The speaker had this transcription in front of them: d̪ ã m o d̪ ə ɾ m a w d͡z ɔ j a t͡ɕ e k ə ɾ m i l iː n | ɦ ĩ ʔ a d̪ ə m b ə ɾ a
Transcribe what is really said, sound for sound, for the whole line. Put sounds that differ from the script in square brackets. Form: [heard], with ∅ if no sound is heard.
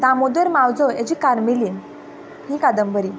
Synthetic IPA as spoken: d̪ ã m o d̪ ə ɾ m a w d͡z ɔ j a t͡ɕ [i] k [a] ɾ m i l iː n | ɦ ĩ [k] a d̪ ə m b ə ɾ [i]